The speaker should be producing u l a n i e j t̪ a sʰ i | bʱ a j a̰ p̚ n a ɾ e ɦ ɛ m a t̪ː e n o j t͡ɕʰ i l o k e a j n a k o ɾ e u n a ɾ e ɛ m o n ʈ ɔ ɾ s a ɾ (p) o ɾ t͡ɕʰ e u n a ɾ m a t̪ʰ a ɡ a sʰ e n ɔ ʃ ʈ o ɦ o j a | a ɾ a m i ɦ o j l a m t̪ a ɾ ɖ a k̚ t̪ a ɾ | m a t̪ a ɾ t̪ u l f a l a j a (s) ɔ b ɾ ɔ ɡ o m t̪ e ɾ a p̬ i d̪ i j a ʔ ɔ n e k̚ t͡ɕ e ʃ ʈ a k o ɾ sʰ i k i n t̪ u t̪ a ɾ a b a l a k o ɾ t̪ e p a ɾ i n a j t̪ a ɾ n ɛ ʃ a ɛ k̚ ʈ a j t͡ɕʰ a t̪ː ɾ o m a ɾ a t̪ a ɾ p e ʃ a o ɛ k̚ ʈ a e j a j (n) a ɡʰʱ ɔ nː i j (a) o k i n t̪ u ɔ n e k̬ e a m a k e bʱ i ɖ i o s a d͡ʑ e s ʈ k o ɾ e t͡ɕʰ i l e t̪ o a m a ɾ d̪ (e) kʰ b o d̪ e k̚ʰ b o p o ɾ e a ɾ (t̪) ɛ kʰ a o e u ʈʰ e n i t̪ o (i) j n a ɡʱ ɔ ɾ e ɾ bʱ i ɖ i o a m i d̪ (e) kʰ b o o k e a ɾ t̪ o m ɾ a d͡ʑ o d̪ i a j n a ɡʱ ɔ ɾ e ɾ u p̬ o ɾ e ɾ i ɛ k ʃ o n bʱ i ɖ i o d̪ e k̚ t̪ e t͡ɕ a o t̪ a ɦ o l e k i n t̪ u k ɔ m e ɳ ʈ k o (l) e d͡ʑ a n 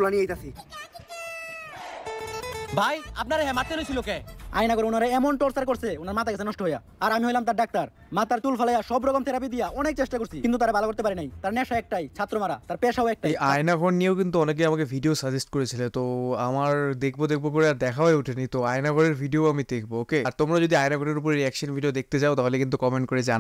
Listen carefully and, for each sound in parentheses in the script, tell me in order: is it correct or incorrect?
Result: incorrect, incorrect, correct, incorrect, correct, incorrect, incorrect, correct, incorrect

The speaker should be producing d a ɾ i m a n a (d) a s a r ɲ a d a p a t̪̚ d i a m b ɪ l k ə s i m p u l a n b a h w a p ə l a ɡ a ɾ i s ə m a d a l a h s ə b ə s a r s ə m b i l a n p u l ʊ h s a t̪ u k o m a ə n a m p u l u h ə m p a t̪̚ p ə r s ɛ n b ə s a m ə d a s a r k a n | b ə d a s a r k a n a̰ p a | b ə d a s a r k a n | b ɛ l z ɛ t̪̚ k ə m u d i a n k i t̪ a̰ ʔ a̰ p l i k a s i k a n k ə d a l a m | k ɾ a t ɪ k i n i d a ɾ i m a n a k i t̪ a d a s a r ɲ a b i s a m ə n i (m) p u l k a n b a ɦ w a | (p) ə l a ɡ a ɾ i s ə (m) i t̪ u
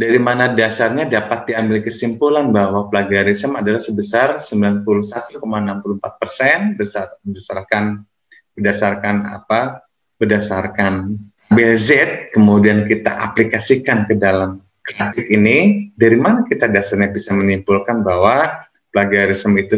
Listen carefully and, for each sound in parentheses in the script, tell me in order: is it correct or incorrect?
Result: correct, correct, correct, correct

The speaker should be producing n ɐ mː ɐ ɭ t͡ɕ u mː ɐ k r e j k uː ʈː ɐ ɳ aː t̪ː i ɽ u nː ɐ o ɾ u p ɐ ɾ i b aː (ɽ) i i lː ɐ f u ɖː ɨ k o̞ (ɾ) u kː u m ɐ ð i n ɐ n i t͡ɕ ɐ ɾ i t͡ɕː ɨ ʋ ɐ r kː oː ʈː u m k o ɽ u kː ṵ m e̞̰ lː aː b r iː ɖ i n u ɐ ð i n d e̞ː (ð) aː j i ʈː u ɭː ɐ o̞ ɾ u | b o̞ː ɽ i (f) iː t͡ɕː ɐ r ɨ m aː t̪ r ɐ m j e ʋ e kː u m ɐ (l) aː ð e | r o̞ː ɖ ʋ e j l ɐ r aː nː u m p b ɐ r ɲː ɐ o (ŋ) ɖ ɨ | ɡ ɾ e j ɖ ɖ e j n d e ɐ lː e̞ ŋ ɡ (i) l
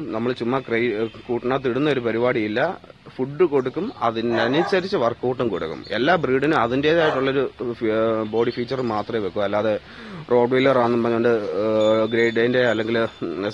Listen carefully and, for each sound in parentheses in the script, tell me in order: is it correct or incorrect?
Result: correct, incorrect, correct, correct, incorrect, incorrect, correct

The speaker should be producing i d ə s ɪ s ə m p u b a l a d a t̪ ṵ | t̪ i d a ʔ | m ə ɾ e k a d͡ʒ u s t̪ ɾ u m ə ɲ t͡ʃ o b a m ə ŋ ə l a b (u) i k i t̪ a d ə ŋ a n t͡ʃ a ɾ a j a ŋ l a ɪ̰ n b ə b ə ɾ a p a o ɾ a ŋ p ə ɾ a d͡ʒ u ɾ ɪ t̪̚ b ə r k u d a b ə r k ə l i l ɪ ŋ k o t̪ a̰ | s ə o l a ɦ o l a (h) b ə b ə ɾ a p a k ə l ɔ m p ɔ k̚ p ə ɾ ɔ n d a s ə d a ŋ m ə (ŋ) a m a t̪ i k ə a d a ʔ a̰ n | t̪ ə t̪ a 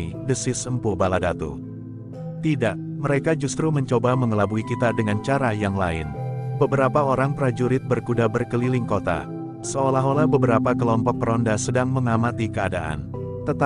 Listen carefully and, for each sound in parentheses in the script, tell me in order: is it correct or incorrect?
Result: correct, correct, correct

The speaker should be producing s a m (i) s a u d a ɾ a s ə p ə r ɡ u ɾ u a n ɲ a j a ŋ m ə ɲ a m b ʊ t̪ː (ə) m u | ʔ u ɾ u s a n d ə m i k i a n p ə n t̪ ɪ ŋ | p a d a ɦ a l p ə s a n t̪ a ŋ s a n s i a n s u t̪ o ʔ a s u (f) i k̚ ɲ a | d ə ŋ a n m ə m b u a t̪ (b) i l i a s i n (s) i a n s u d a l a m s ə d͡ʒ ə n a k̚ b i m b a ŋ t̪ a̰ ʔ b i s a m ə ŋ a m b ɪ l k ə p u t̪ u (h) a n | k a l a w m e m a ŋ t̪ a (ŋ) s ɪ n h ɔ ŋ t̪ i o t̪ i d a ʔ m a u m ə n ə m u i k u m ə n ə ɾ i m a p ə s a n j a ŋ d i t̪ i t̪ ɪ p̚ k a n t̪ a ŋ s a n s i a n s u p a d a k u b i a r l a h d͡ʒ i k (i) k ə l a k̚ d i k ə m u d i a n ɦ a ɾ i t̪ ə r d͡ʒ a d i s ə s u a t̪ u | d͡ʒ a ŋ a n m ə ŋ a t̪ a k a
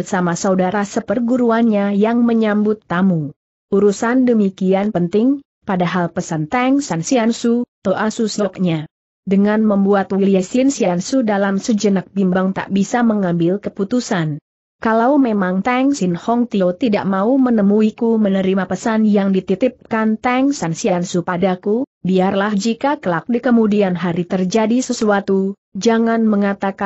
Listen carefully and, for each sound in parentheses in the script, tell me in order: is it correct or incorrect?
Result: incorrect, incorrect, incorrect, incorrect, correct, incorrect, correct, incorrect

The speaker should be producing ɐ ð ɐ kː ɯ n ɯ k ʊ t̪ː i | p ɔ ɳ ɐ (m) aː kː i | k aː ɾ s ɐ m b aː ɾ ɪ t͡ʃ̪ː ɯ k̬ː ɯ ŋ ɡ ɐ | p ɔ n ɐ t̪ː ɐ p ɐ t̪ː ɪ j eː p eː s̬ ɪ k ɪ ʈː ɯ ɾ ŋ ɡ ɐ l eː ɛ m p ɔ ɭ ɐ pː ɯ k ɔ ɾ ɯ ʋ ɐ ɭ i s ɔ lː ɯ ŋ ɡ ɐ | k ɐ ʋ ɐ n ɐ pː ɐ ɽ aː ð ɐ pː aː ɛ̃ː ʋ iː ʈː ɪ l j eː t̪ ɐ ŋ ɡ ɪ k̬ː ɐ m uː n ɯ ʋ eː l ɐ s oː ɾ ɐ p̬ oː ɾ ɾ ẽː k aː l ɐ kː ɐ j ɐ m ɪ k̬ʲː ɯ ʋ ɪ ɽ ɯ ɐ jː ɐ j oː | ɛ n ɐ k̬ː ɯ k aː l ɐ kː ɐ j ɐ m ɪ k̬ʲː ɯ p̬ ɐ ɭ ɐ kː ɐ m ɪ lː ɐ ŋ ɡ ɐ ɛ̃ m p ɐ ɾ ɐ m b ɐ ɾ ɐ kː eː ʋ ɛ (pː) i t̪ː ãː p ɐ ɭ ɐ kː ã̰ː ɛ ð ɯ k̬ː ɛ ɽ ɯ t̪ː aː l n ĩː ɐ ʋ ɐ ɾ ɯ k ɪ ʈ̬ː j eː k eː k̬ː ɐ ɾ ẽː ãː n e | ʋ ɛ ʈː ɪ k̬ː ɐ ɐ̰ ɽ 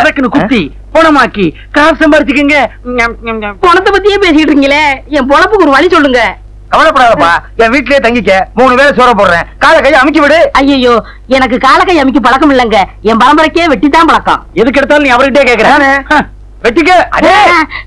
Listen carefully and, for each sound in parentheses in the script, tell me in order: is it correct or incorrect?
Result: correct, incorrect

